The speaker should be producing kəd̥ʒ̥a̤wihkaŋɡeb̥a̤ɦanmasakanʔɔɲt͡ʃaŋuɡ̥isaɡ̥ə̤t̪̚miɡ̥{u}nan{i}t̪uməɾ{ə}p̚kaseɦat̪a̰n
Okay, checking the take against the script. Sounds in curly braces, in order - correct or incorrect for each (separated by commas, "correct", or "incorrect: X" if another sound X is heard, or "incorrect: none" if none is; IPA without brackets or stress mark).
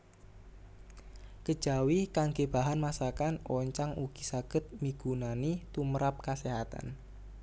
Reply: correct, correct, incorrect: a